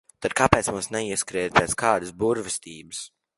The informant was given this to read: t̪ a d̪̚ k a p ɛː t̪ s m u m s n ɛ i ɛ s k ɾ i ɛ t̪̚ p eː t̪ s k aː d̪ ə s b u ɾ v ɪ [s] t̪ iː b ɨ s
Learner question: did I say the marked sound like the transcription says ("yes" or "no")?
yes